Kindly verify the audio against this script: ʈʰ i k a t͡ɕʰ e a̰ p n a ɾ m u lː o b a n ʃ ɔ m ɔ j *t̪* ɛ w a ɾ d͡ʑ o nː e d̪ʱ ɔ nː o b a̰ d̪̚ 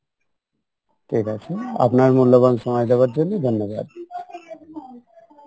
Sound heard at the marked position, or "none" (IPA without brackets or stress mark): d̪